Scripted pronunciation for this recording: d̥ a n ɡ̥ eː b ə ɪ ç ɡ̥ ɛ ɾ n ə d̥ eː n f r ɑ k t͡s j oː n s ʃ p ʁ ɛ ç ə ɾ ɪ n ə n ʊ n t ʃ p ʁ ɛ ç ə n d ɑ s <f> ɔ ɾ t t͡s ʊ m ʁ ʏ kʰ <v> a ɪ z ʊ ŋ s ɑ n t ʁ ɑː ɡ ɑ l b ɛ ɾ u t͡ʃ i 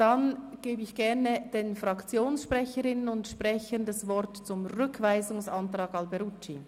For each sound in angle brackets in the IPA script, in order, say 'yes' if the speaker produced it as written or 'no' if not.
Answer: no, yes

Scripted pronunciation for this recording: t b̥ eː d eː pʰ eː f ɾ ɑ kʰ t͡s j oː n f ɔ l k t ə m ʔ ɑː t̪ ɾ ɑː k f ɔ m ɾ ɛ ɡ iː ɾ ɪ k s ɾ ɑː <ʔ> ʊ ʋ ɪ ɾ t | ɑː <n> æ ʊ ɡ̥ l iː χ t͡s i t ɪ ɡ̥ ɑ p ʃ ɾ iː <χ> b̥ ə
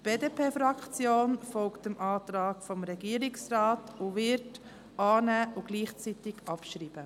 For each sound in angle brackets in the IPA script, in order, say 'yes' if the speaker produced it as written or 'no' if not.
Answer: no, yes, no

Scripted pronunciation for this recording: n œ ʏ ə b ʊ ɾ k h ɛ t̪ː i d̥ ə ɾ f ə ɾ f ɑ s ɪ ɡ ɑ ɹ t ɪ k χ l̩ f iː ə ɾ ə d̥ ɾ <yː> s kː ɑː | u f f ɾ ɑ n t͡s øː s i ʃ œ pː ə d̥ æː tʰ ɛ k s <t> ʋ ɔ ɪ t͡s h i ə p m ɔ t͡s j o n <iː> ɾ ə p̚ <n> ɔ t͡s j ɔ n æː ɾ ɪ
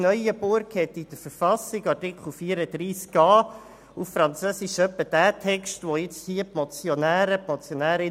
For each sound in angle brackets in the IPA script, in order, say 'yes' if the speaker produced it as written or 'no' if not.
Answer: no, yes, no, no

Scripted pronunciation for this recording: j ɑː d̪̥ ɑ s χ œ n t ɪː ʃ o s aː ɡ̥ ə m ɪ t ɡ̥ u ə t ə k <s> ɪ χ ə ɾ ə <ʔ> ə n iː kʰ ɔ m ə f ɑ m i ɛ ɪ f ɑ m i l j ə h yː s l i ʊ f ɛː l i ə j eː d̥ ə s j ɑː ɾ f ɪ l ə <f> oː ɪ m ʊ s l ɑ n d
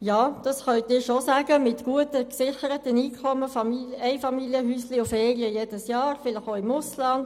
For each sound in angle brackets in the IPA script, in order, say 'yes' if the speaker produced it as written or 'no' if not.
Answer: yes, no, no

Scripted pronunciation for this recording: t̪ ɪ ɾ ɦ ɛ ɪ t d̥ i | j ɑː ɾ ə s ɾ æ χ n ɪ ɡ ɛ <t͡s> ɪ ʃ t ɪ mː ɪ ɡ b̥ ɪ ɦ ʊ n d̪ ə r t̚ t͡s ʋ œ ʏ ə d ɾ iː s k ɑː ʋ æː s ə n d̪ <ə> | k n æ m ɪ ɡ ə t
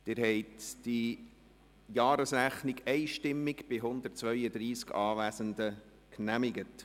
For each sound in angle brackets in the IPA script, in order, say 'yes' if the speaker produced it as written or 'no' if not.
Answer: no, yes

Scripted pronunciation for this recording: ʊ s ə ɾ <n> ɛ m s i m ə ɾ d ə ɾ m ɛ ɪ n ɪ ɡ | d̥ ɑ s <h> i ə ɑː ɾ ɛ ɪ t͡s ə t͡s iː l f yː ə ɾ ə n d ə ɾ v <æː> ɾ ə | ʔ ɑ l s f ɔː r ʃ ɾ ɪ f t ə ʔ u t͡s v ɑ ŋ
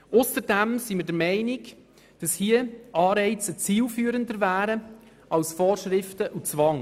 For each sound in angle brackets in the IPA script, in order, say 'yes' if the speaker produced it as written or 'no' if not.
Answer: no, yes, yes

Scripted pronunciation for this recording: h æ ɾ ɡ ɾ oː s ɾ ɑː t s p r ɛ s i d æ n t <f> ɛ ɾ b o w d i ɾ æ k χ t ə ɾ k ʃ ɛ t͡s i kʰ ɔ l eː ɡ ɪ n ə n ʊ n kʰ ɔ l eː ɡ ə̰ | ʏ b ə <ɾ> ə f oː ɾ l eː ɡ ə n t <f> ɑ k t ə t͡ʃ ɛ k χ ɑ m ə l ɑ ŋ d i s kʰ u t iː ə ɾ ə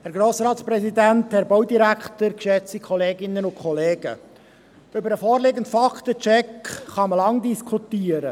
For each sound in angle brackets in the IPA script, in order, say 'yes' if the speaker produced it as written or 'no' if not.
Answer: no, yes, yes

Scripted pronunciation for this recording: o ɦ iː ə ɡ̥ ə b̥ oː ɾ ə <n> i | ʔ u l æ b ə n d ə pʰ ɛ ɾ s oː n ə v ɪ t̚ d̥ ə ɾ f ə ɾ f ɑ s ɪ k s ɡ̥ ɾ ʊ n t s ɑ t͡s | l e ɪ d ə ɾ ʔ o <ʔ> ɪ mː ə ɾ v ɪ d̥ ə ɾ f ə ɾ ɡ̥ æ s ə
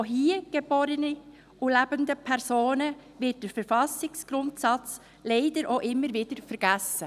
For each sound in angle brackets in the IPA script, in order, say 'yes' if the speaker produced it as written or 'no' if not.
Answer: yes, yes

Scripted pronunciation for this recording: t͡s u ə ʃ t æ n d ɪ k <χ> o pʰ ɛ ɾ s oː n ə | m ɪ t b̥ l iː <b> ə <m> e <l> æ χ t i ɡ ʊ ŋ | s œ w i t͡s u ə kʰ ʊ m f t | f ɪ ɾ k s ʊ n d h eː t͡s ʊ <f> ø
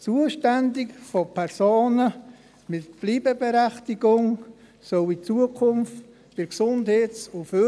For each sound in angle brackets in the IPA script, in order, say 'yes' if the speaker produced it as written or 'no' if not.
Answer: no, yes, no, no, yes

